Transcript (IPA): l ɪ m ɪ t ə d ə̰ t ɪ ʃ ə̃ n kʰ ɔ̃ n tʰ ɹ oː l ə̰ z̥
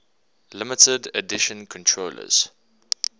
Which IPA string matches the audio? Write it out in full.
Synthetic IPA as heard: l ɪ m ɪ t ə d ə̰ d ɪ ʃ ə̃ n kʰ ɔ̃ n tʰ ɹ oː l ə̰ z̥